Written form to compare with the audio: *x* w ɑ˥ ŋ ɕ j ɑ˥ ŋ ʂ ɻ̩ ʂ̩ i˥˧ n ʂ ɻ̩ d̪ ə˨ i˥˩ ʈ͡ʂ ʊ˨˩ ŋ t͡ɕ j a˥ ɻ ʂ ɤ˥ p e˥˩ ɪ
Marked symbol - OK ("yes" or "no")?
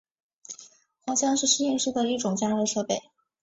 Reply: yes